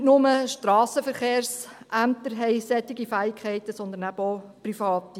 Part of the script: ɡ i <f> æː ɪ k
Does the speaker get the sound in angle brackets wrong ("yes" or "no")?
no